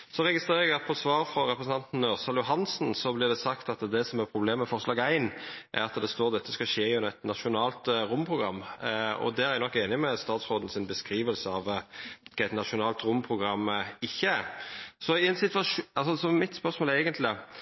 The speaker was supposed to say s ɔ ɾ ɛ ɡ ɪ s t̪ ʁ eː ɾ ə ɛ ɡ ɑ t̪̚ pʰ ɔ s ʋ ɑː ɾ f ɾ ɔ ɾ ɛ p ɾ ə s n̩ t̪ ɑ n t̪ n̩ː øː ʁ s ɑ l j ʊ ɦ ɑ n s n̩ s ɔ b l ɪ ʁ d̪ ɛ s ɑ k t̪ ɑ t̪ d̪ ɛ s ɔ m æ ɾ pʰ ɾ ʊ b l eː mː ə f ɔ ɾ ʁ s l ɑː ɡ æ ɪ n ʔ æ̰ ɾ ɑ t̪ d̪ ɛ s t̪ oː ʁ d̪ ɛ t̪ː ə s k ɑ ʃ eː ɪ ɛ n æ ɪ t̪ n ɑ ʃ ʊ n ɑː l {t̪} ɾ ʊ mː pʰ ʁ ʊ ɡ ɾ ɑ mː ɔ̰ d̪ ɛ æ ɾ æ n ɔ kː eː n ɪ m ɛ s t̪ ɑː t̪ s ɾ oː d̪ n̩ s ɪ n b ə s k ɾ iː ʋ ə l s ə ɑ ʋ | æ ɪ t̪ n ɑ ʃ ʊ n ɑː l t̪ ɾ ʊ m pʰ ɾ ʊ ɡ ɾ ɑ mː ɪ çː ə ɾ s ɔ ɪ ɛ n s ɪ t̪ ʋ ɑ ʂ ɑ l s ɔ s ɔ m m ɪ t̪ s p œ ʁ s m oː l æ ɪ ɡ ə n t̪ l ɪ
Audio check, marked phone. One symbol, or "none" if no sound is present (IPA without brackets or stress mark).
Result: t̪